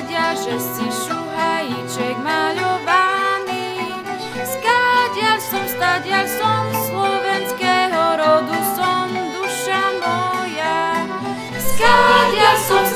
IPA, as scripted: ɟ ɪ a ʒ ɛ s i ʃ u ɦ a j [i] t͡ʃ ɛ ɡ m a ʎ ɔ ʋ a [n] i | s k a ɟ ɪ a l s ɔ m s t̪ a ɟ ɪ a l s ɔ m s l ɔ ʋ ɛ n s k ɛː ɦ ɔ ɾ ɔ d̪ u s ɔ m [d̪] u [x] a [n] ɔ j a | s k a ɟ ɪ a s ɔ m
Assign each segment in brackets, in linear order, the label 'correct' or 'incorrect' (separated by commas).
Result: correct, correct, correct, incorrect, incorrect